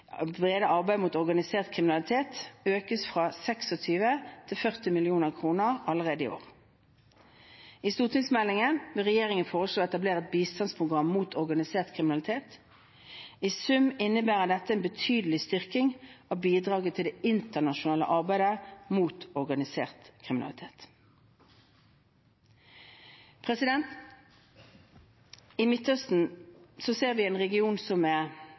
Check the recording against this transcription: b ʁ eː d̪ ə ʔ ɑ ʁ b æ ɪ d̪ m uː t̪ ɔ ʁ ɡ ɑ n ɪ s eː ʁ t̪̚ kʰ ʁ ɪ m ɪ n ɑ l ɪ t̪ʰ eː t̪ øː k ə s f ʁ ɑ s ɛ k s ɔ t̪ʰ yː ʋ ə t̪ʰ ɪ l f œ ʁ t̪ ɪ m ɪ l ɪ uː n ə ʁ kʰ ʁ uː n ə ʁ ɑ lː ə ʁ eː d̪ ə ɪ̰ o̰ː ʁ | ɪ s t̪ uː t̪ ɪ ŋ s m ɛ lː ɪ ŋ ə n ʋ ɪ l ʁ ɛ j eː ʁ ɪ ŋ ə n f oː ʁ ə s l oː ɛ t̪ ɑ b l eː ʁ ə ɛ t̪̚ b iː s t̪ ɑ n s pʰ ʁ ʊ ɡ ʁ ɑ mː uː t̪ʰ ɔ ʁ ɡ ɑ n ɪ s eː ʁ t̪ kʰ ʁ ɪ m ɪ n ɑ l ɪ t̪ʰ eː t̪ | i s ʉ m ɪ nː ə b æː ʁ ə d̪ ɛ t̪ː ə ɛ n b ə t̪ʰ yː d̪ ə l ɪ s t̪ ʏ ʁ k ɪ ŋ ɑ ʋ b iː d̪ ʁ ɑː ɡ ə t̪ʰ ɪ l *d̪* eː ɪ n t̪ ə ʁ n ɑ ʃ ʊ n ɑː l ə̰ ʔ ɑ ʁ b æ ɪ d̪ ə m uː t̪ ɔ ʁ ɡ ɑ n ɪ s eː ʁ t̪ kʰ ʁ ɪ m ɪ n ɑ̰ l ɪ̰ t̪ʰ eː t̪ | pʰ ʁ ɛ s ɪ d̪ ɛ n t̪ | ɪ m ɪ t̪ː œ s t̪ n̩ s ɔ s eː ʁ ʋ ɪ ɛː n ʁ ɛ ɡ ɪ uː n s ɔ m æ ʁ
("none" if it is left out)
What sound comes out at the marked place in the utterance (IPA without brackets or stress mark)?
d̪